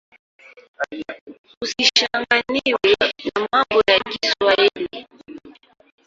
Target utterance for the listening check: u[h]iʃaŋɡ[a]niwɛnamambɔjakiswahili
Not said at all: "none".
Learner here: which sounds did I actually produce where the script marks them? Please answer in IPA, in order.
s, a

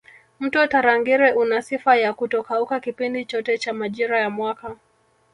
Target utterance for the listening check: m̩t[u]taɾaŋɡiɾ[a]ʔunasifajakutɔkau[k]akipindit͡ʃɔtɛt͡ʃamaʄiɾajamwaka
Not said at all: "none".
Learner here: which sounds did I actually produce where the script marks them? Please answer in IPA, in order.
ɔ, ɛ, k

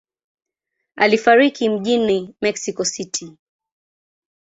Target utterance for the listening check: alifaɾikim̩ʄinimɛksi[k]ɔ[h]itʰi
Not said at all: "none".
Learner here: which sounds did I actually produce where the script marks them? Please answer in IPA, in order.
k, s

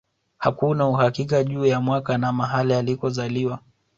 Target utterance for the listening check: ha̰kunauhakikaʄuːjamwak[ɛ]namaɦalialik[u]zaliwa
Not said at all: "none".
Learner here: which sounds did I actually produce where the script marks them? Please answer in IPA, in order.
a, ɔ

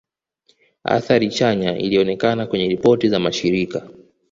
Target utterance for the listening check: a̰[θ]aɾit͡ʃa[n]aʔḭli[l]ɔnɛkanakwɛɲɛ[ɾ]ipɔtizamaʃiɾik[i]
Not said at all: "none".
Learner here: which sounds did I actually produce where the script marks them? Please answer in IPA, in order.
θ, ɲ, none, ɾ, a

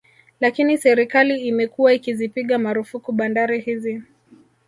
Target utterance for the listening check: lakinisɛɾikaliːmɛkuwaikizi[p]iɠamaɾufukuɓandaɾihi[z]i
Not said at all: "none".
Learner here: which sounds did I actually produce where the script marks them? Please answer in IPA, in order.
p, z

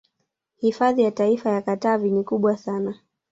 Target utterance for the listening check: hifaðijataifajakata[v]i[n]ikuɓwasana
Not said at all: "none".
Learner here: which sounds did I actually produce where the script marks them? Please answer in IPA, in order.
v, n

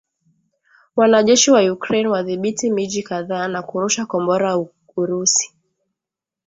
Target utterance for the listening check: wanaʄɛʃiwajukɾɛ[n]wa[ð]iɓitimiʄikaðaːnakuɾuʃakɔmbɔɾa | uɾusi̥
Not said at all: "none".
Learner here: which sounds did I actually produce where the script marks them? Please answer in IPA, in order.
n, ð

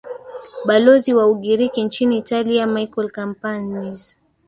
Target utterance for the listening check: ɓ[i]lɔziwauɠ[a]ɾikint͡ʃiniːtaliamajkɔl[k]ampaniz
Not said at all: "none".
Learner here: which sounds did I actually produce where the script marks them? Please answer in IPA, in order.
a, i, k

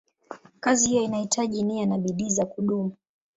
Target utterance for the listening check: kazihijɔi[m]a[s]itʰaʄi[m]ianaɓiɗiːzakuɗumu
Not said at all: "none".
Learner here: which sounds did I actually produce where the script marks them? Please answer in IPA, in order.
n, h, n

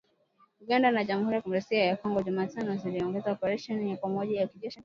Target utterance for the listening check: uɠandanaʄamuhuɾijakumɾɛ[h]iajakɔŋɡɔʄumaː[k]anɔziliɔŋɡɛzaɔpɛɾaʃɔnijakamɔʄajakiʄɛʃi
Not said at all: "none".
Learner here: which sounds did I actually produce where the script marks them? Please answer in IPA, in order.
s, t

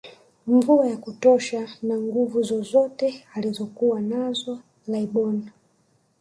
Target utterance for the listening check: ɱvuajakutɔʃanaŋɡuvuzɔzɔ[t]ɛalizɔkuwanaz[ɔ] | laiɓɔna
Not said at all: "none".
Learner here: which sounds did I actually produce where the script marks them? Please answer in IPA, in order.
t, ɔ

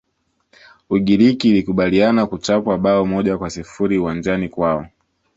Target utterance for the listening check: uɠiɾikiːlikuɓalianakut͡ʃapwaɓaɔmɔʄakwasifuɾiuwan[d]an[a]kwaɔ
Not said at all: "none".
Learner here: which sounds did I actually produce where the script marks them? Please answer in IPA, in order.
d͡ʒ, i

